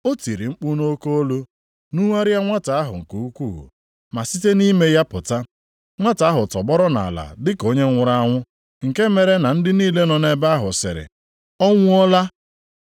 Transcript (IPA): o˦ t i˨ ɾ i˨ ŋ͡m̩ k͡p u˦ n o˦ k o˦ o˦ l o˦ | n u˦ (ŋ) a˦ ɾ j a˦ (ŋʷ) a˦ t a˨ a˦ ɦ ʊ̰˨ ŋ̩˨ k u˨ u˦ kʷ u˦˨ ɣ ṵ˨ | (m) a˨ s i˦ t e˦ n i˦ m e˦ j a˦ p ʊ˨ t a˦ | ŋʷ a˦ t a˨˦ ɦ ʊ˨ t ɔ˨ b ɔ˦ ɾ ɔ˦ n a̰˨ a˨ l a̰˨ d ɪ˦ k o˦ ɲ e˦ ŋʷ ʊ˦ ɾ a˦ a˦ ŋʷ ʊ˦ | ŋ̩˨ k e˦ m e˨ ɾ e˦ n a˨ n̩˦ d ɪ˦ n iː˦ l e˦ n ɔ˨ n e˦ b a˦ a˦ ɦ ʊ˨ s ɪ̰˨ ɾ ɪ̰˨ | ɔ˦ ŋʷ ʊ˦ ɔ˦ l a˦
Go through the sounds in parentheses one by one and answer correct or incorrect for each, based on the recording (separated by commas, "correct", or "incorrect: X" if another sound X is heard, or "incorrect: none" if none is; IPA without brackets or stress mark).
correct, correct, correct